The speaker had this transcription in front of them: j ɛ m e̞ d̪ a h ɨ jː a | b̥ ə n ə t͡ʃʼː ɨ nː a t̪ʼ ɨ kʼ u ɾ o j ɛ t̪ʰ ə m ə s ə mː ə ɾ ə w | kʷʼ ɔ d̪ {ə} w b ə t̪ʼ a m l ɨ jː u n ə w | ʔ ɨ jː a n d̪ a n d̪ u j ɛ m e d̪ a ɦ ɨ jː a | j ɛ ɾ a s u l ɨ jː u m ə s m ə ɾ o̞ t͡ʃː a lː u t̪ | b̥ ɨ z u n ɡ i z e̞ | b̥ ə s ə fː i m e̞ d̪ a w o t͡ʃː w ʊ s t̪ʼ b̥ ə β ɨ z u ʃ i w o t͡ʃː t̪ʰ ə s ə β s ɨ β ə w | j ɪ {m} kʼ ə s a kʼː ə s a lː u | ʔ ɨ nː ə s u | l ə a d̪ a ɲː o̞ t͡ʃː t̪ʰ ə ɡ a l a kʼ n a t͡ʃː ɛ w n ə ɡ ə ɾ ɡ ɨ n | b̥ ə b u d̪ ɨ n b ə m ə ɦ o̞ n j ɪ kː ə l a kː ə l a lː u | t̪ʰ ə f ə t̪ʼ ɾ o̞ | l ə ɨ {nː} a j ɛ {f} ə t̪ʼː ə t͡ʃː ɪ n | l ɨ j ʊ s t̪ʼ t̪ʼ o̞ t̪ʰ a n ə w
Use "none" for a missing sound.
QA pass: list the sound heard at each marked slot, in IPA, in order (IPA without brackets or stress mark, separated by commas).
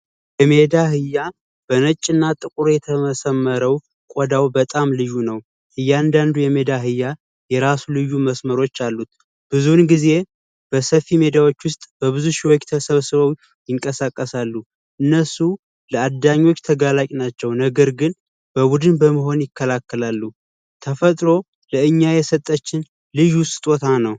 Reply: a, ŋ, ɲː, s